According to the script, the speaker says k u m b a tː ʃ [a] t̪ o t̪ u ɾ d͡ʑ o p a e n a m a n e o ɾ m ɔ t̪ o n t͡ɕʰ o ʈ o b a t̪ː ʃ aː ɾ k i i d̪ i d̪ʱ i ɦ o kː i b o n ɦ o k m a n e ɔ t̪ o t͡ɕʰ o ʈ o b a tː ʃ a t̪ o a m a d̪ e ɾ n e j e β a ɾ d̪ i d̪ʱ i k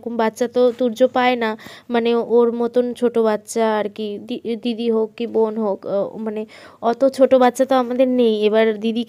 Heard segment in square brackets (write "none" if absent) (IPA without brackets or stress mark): a